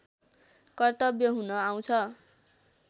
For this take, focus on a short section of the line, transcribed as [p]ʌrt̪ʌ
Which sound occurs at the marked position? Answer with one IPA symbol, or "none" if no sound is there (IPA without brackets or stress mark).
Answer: k